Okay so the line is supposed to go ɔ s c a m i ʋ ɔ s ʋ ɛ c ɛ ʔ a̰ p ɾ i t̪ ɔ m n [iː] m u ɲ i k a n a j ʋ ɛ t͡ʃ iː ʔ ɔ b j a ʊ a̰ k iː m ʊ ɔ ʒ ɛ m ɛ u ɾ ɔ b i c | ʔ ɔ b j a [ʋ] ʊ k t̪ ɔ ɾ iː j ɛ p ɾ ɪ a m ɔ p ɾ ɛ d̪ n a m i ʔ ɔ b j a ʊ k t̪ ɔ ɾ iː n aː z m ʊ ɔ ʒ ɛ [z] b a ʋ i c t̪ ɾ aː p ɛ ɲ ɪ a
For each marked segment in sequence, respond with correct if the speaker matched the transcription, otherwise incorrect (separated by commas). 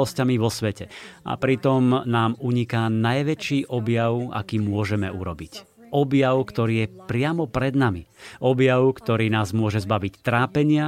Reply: incorrect, incorrect, correct